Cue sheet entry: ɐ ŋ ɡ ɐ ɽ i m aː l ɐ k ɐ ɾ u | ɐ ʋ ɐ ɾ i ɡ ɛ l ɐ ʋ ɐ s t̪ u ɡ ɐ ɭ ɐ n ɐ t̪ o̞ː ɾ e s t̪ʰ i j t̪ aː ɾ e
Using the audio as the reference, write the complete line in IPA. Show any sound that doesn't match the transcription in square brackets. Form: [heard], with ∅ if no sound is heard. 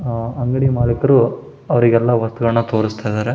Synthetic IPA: ɐ ŋ ɡ ɐ ɽ i m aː l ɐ k ɐ ɾ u | ɐ ʋ ɐ ɾ i ɡ ɛ [lː] ɐ ʋ ɐ s t̪ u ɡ ɐ ɭ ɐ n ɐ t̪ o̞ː ɾ [i] s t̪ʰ [a] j [d̪] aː ɾ e